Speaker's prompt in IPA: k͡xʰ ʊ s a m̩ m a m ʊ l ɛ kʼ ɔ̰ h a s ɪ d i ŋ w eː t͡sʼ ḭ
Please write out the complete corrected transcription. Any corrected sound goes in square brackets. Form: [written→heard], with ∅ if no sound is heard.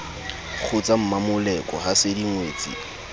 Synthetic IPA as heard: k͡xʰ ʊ [s→t͡s] a m̩ m a m ʊ l ɛ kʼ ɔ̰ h a s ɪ d i ŋ w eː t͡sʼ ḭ